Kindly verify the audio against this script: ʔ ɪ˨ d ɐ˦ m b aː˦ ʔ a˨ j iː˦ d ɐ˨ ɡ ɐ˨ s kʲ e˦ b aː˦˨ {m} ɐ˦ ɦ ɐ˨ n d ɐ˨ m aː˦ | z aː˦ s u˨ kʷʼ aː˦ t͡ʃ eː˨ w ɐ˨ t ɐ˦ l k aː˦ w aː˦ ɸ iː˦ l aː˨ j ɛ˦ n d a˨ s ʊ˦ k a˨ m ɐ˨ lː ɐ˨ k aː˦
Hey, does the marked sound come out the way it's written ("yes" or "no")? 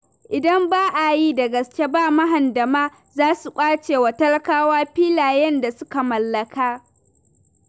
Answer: yes